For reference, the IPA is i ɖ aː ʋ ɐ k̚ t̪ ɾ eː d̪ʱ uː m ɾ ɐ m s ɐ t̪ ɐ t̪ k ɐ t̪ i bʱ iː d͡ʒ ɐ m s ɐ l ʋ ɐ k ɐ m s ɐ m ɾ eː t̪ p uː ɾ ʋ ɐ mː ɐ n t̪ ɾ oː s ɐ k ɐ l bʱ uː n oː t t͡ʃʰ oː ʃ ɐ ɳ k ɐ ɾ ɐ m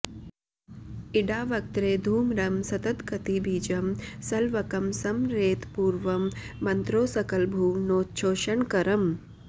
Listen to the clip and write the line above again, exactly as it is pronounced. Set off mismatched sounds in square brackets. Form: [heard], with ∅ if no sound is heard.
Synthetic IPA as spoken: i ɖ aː ʋ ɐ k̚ t̪ ɾ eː d̪ʱ uː m ɾ ɐ m s ɐ t̪ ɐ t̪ k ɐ t̪ i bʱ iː d͡ʒ ɐ m s ɐ l ʋ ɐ k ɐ m s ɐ m ɾ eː t̪ p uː ɾ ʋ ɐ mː ɐ n t̪ ɾ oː s ɐ k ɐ l bʱ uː n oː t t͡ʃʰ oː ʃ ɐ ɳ k ɐ ɾ ɐ m